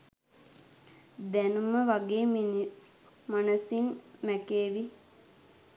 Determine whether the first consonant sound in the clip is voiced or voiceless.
voiced